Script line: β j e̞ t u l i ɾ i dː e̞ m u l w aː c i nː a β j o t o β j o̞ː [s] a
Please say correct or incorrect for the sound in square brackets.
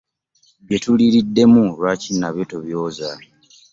incorrect